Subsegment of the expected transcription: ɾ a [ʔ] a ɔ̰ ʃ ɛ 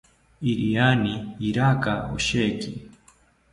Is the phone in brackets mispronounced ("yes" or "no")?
yes